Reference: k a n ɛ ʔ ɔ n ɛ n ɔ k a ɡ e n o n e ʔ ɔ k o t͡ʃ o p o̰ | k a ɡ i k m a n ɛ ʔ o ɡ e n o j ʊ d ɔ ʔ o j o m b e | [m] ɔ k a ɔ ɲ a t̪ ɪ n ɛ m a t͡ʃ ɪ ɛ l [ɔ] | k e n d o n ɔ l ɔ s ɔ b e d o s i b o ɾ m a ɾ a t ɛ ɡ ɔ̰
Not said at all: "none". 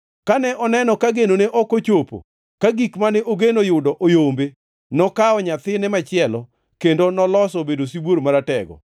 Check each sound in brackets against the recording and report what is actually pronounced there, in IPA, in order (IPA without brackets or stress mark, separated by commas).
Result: n, ɔ